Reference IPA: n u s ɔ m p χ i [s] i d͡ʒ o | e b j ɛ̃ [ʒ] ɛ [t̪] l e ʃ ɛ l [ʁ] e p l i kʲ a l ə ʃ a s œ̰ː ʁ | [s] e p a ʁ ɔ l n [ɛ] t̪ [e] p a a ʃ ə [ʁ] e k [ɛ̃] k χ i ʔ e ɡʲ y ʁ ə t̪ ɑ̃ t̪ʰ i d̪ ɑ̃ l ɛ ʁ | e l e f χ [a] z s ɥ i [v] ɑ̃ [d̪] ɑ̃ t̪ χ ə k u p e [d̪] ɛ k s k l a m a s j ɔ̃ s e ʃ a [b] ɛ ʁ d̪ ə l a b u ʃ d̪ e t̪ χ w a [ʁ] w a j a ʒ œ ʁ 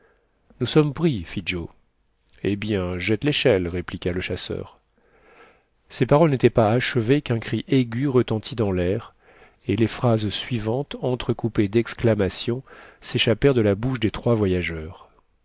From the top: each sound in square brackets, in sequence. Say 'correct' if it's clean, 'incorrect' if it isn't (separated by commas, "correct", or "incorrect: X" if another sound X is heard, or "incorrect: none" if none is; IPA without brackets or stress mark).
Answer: incorrect: f, correct, correct, correct, correct, incorrect: e, incorrect: ɛ, incorrect: v, correct, correct, correct, incorrect: t̪, correct, incorrect: p, incorrect: v